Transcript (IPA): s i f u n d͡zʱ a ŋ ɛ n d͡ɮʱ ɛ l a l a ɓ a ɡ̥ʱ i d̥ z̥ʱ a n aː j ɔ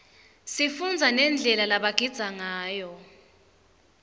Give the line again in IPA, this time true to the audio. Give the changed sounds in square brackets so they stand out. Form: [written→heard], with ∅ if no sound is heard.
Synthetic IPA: s i f u n d͡zʱ a [ŋ→n] ɛ n d͡ɮʱ ɛ l a l a ɓ a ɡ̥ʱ i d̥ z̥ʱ a [n→ŋ] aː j ɔ